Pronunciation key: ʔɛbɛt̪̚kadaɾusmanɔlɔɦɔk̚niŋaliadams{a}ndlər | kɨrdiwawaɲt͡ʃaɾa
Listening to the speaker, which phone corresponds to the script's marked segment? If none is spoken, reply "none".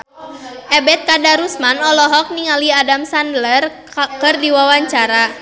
a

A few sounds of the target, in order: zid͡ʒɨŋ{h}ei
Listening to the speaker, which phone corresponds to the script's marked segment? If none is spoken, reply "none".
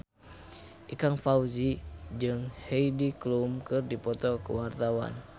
h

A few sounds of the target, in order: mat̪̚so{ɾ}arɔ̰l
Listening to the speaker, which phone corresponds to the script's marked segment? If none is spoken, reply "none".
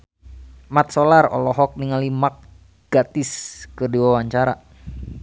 l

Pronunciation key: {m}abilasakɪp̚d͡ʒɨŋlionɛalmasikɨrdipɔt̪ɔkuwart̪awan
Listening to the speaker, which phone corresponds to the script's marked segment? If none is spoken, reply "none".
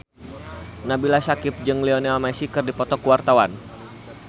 n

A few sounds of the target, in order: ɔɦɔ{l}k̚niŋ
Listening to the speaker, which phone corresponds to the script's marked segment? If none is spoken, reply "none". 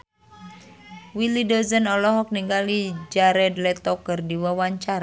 none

